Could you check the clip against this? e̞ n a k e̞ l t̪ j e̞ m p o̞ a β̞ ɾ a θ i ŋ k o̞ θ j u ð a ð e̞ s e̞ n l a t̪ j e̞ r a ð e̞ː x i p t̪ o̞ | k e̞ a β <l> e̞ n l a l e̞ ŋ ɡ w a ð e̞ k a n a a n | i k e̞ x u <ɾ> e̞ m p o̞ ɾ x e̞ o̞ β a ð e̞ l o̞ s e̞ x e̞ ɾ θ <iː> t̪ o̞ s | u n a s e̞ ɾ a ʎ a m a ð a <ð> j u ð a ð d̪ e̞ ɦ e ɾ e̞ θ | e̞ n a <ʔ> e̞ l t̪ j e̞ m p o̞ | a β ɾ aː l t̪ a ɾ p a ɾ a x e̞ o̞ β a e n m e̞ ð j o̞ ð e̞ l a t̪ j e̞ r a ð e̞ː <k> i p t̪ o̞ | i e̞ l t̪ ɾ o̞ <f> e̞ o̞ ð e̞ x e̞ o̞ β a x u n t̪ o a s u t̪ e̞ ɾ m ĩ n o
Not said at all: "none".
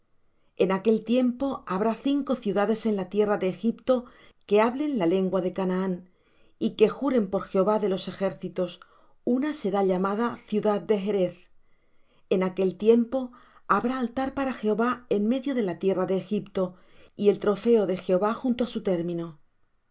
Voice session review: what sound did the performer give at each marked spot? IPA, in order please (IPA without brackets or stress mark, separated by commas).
l, ɾ, i, θ, k, x, f